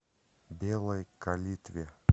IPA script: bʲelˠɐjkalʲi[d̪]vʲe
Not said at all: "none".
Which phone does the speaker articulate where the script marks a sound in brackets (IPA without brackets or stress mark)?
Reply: t̪